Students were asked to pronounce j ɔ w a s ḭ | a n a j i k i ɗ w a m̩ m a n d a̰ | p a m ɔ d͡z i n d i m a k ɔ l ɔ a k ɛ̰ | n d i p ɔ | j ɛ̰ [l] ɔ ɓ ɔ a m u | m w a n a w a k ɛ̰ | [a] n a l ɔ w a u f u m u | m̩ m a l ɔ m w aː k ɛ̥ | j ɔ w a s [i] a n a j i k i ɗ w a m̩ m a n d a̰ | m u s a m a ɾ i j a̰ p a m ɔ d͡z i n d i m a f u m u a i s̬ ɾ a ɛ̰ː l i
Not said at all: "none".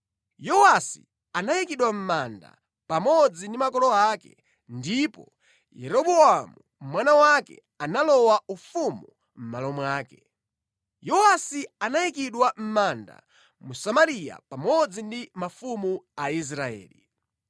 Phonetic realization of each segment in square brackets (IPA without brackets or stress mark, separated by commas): ɾ, a, i